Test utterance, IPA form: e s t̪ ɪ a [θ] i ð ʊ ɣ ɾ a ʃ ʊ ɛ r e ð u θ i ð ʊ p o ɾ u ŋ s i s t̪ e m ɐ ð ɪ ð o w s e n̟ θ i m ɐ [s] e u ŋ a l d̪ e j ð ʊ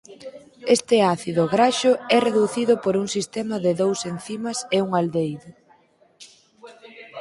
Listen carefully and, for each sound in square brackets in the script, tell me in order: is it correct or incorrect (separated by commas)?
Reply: correct, correct